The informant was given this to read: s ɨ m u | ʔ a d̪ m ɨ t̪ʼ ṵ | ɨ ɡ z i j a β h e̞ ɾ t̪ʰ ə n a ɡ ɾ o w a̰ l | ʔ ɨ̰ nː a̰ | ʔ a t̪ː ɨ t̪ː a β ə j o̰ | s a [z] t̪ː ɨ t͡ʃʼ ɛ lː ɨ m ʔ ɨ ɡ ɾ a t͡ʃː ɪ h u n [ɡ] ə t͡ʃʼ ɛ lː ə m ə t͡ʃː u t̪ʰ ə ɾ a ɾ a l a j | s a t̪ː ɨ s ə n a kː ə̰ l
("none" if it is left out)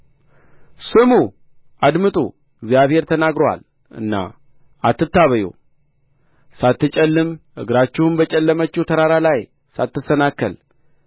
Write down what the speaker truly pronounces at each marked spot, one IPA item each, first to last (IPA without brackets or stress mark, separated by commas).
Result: none, b